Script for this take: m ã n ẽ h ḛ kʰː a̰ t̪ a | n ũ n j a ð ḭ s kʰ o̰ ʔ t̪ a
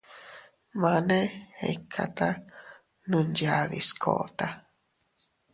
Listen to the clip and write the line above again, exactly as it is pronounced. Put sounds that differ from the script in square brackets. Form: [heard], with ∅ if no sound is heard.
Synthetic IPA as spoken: m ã n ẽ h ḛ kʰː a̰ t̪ a | n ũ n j a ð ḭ s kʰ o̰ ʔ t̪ a